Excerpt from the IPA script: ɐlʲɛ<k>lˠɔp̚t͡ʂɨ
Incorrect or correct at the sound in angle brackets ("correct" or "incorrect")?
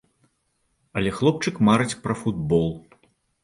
incorrect